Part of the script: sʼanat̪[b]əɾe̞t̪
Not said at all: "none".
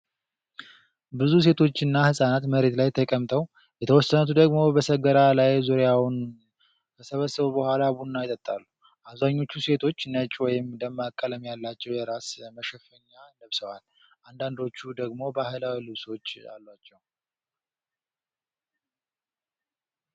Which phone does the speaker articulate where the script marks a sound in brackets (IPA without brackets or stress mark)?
m